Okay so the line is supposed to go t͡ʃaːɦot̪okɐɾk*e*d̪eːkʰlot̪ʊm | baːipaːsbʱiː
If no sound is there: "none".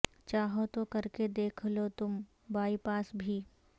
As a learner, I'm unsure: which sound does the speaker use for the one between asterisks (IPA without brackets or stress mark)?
e